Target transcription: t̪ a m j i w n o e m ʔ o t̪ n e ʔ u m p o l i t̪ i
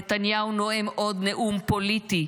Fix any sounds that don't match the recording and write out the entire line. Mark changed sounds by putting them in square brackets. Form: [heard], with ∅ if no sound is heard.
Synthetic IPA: t̪ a [n] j [a] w n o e m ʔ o [d̪] n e ʔ u m p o l i t̪ i